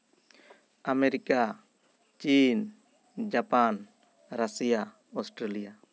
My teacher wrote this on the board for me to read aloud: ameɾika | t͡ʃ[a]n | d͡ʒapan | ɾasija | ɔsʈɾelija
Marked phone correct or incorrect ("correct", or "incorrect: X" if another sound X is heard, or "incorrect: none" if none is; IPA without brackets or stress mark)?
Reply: incorrect: i